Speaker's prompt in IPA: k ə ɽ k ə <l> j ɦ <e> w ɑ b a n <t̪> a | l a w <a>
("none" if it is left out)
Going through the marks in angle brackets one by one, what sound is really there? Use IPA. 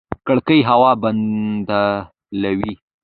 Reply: none, a, d̪, i

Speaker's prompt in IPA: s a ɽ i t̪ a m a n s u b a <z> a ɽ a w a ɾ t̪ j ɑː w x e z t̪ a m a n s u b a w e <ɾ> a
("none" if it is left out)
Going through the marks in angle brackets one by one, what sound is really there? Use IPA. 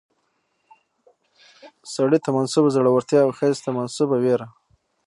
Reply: z, ɾ

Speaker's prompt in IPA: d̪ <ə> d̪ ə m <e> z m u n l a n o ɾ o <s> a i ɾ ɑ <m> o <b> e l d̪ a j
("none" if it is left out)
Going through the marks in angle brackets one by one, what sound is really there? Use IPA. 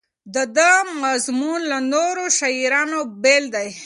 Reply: ə, a, ʃ, n, b

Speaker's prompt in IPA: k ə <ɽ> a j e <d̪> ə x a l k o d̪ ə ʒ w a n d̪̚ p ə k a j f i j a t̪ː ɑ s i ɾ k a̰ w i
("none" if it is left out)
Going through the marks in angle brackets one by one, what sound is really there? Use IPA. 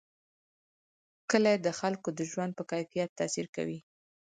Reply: l, d̪

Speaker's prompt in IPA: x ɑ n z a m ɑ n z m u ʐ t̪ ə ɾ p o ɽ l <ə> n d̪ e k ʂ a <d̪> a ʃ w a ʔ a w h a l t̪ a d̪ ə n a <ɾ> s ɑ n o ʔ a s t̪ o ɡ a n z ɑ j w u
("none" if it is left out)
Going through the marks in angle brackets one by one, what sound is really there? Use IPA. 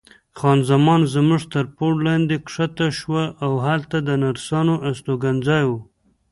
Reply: ɑ, t̪, ɾ

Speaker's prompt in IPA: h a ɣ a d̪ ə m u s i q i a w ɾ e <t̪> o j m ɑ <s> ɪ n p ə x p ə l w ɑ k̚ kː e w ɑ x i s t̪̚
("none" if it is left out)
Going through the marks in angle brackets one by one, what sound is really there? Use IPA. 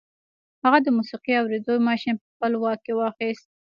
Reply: d̪, ʃ

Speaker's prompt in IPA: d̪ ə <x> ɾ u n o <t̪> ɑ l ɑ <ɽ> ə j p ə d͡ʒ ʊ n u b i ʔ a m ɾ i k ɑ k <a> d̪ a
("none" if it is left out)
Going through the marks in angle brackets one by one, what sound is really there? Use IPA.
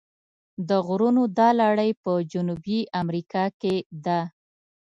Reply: ɣ, d̪, ɽ, e

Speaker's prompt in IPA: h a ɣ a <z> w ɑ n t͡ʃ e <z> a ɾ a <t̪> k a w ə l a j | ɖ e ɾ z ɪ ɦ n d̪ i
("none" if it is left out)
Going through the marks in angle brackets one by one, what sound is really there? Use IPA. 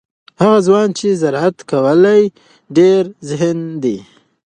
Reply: z, z, t̪

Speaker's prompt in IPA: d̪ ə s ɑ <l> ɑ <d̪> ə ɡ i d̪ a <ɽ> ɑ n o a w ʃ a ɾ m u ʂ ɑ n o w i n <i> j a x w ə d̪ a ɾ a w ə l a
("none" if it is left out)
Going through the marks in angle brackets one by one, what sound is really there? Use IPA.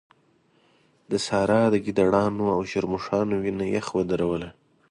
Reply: ɾ, d̪, ɽ, a

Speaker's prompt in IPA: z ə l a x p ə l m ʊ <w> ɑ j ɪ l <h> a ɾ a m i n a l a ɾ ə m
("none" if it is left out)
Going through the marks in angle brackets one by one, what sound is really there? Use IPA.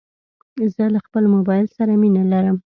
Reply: b, s

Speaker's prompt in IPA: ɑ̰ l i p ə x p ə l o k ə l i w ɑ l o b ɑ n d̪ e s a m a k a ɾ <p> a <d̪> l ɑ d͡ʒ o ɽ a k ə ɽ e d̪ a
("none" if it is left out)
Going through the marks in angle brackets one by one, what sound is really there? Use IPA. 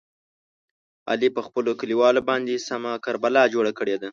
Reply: b, none

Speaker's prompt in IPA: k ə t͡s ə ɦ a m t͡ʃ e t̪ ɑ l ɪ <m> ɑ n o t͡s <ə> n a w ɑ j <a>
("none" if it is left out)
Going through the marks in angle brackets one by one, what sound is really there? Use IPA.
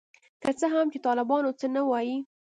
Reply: b, ə, i

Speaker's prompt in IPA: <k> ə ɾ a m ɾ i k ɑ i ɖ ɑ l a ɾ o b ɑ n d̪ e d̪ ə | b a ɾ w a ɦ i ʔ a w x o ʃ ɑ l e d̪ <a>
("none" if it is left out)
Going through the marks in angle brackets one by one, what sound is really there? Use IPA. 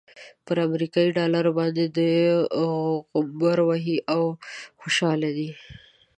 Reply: p, i

